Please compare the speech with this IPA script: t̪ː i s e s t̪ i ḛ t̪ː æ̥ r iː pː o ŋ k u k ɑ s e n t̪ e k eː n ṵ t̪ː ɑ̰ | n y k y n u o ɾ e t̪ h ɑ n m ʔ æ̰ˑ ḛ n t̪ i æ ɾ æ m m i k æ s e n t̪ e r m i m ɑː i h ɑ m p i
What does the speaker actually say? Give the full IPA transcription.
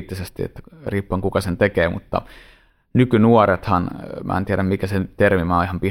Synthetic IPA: t̪ː i s e s t̪ i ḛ t̪ː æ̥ r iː pː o ŋ k u k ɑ s e n t̪ e k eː m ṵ t̪ː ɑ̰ | n y k y n u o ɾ e t̪ h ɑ n m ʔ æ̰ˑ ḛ n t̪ i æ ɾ æ m m i k æ s e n t̪ e r m i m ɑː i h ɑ m p i